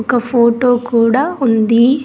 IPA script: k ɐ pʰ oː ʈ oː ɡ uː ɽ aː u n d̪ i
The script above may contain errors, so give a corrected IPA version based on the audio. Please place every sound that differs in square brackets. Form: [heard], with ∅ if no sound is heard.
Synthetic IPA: k ɐ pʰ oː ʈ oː [k] uː ɽ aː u n d̪ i